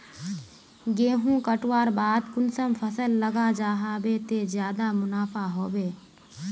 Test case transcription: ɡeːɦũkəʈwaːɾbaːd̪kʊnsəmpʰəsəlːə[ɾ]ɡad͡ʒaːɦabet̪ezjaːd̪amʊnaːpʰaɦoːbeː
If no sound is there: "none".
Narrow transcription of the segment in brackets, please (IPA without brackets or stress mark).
none